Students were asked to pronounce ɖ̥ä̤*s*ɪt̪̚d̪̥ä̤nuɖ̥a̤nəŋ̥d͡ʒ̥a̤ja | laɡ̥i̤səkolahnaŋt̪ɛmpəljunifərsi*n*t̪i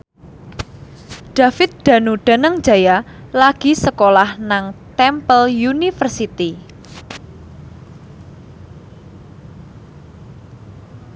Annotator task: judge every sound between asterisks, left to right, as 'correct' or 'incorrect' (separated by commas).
incorrect, incorrect